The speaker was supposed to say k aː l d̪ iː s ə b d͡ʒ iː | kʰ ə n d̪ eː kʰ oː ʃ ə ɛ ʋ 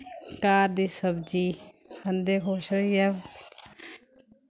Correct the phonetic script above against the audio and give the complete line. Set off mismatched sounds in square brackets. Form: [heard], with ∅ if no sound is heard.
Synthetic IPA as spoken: k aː [ɾ] d̪ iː s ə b d͡ʒ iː | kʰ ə n d̪ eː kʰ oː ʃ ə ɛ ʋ